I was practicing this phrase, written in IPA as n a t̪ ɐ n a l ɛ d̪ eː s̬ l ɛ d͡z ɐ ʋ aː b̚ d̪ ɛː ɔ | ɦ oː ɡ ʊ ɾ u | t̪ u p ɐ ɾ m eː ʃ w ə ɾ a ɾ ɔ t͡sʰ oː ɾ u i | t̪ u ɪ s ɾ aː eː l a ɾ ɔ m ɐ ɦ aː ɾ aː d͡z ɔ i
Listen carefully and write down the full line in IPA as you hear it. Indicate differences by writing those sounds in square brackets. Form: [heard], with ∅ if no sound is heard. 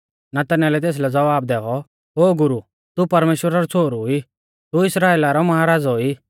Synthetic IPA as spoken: n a t̪ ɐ n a l ɛ [t̪] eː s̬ l ɛ d͡z ɐ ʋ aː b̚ d̪ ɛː ɔ | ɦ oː ɡ ʊ ɾ u | t̪ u p ɐ ɾ m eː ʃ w ə ɾ a ɾ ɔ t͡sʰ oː ɾ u i | t̪ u ɪ s ɾ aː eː l a ɾ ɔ m ɐ ɦ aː ɾ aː d͡z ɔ i